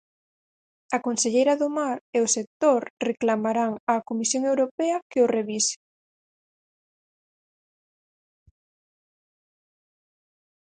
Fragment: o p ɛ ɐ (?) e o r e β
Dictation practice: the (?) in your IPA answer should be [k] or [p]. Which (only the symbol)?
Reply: k